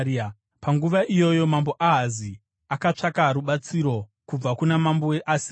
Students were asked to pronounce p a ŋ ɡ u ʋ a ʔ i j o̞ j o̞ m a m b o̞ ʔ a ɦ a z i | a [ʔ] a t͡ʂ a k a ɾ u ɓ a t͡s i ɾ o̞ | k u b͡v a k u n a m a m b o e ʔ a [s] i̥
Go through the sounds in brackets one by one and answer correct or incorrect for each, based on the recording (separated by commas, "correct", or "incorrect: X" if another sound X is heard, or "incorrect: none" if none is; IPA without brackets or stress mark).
incorrect: k, correct